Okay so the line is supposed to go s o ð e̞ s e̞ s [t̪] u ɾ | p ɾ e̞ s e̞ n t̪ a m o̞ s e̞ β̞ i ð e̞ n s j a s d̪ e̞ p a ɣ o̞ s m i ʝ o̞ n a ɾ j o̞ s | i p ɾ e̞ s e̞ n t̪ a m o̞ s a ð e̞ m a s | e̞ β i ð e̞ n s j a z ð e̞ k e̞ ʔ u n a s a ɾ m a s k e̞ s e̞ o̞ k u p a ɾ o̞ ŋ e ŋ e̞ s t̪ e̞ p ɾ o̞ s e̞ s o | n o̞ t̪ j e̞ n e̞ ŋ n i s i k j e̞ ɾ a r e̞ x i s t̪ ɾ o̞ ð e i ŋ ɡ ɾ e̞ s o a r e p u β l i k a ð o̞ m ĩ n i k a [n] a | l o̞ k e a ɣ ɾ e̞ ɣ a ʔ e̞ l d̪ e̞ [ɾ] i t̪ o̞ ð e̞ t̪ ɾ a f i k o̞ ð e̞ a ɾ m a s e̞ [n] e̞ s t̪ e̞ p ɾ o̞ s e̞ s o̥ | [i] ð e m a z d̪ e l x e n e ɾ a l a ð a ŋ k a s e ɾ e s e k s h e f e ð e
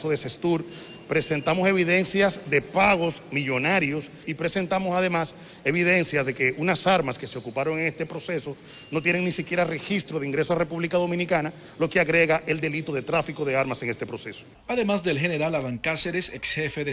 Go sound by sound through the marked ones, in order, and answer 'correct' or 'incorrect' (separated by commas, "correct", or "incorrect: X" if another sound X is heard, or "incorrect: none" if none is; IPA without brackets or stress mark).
correct, correct, incorrect: l, incorrect: ŋ, incorrect: a